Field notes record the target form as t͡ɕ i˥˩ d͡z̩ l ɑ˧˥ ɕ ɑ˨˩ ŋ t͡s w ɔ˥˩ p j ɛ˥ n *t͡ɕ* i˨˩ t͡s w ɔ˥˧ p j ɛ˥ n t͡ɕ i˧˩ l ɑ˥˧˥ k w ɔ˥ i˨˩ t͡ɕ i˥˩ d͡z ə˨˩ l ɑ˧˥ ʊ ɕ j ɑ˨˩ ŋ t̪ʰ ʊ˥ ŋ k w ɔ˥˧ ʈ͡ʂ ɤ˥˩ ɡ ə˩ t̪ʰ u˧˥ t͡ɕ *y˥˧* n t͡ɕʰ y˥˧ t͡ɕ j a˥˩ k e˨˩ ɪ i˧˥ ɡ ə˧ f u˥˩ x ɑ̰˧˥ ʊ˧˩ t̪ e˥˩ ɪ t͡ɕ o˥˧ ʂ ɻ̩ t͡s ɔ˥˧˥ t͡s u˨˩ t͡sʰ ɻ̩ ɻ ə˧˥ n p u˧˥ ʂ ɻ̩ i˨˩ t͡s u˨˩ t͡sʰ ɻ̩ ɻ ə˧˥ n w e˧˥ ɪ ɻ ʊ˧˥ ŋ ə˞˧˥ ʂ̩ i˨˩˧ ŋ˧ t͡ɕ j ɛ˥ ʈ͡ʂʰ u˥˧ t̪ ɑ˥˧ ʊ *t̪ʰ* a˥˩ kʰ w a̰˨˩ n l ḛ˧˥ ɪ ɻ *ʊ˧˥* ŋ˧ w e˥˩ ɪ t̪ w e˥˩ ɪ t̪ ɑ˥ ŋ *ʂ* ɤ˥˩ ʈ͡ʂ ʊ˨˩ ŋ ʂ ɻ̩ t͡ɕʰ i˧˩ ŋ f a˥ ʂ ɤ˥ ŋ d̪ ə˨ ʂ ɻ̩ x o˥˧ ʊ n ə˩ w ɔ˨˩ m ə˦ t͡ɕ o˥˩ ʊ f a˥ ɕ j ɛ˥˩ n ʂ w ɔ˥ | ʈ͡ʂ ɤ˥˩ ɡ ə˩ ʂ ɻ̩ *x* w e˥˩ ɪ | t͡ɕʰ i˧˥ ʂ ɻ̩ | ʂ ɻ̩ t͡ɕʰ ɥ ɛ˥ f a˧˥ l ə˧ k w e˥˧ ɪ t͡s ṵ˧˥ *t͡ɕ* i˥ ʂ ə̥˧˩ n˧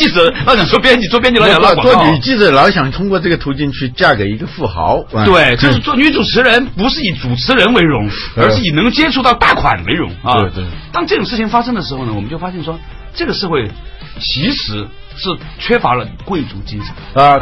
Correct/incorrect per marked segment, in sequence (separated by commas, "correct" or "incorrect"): correct, incorrect, incorrect, correct, incorrect, correct, correct